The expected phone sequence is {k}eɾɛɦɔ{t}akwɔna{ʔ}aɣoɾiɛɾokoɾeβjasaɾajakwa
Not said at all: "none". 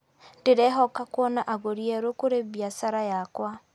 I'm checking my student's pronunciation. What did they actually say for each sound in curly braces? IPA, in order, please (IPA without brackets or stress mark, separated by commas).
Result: t, k, ʔ